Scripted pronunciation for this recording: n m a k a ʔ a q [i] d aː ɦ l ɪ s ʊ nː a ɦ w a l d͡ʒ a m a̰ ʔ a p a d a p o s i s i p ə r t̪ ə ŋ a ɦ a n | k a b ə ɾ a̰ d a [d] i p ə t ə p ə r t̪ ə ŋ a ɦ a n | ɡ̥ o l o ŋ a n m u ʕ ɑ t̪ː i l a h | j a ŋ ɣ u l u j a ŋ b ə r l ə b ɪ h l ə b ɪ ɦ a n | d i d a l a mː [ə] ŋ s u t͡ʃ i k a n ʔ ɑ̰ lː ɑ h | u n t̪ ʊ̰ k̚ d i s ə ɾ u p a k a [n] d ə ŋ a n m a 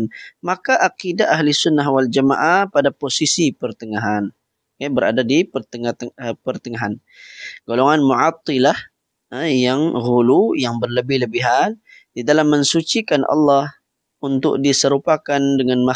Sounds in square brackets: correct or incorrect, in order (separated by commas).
correct, correct, correct, correct